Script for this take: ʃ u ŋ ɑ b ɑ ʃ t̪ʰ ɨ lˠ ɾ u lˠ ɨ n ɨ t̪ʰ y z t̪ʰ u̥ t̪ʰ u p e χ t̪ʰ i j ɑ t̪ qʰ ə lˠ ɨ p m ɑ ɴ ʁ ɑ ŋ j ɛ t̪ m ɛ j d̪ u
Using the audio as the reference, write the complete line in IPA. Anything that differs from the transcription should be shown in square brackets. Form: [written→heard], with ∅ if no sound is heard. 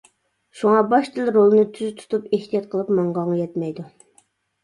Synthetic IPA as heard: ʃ u ŋ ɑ b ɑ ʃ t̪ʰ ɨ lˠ ɾ [u→o] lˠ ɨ n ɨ t̪ʰ y z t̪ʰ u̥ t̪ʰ u p e [χ→h] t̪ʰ i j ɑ t̪ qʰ ə lˠ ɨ p m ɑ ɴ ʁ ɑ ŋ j ɛ t̪ m ɛ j d̪ u